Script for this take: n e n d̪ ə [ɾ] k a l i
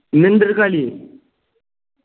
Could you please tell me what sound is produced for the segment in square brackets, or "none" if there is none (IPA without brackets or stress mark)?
ɾ